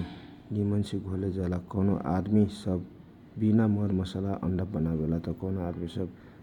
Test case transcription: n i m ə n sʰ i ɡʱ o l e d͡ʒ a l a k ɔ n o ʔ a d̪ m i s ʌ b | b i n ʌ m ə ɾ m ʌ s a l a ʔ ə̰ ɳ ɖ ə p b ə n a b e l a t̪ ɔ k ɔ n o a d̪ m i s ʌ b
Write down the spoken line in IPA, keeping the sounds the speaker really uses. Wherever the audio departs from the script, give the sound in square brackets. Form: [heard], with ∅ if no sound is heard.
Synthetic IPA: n i m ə n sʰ i ɡʱ o l e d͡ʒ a l a k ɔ n o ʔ a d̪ m i s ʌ b | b i n [a] m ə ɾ m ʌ s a l a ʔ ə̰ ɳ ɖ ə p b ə n a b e l a t̪ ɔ k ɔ n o a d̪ m i s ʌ b